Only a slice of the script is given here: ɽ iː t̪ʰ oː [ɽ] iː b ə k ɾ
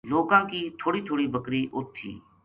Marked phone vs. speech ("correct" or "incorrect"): correct